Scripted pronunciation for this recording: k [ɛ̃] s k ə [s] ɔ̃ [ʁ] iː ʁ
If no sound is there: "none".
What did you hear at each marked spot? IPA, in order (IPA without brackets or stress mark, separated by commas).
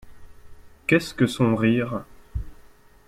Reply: ɛ, s, ʁ